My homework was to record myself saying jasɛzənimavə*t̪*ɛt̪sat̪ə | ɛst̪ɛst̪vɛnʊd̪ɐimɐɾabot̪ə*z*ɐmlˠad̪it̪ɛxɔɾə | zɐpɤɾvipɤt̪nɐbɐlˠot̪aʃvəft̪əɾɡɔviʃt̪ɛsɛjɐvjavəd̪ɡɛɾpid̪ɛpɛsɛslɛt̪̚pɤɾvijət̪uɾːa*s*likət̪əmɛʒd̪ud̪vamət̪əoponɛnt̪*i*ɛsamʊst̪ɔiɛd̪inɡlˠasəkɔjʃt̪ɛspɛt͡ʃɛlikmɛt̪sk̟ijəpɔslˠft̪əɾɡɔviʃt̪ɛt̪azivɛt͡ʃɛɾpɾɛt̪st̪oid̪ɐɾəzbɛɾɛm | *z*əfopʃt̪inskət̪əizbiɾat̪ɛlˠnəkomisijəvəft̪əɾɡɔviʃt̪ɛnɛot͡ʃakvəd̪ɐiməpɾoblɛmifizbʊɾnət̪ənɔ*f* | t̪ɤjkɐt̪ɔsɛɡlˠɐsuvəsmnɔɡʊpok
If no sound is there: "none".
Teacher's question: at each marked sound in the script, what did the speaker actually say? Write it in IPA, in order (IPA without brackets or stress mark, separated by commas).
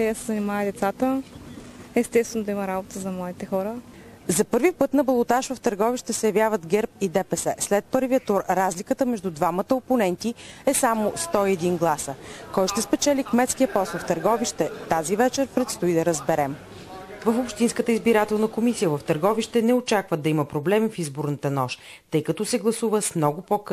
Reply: d̪, z, z, i, v, ʃ